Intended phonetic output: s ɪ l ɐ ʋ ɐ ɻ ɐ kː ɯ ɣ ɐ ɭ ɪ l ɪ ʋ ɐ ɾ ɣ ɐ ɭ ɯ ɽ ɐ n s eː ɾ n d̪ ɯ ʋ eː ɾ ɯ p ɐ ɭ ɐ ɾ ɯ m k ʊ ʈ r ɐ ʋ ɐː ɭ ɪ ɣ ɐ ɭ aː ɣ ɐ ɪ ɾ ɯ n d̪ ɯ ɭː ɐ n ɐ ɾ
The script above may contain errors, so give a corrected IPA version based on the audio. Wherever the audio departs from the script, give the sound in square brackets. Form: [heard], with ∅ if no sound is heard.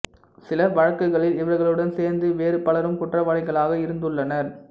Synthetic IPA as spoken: s ɪ l ɐ ʋ ɐ ɻ ɐ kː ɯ ɣ ɐ ɭ ɪ l ɪ ʋ ɐ ɾ ɣ ɐ ɭ ɯ ɽ ɐ n s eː ɾ n d̪ ɯ ʋ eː ɾ ɯ p ɐ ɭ ɐ ɾ ɯ m k ʊ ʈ r ɐ ʋ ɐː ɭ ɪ ɣ ɐ ɭ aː ɣ ɐ ɪ ɾ ɯ n d̪ ɯ ɭː ɐ n ɐ ɾ